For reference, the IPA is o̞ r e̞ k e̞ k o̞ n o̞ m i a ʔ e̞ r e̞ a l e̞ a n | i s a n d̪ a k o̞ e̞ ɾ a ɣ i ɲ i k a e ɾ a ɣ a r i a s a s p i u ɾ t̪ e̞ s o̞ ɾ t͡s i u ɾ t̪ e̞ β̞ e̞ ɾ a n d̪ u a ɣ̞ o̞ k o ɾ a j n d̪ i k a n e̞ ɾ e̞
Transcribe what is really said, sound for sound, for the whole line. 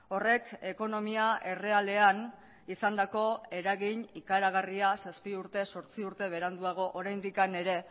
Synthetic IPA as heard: o̞ r e̞ k e̞ k o̞ n o̞ m i a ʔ e̞ r e̞ a l e̞ a n | i s a n d̪ a k o̞ e̞ ɾ a ɣ i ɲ i k a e ɾ a ɣ a r i a s a s p i u ɾ t̪ e̞ s o̞ ɾ t͡s i u ɾ t̪ e̞ β̞ e̞ ɾ a n d̪ u a ɣ̞ o̞ ʔ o ɾ a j n d̪ i k a n e̞ ɾ e̞